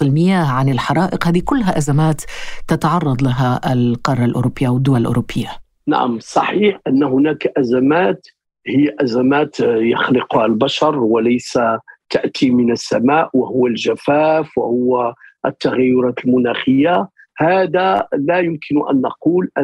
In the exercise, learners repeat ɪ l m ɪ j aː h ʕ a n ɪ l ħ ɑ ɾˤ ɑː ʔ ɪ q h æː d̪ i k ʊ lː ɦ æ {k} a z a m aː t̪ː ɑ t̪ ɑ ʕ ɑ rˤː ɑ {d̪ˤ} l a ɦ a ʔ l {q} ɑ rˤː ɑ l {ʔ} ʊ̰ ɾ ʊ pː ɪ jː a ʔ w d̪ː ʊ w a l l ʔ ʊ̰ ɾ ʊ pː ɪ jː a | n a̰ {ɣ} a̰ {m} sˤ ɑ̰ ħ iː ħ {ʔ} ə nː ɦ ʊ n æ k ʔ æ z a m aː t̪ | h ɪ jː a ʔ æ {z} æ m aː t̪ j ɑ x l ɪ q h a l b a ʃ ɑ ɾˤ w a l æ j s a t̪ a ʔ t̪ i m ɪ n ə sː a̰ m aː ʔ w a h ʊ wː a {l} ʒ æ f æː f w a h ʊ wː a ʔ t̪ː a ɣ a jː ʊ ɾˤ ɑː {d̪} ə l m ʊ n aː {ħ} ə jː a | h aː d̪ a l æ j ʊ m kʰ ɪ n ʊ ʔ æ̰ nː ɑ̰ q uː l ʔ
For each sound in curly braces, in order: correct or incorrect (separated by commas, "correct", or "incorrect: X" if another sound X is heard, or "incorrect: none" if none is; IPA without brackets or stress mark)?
incorrect: ʔ, correct, correct, correct, incorrect: ʕ, correct, correct, correct, correct, incorrect: t̪, incorrect: x